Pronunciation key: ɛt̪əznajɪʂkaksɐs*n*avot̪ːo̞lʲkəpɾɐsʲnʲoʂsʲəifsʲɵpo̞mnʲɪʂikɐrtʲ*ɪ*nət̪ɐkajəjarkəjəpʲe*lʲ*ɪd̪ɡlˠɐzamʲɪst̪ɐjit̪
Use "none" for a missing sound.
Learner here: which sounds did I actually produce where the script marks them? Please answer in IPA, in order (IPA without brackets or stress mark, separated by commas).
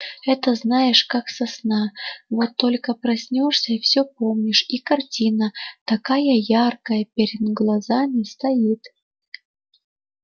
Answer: n, i, ɾʲ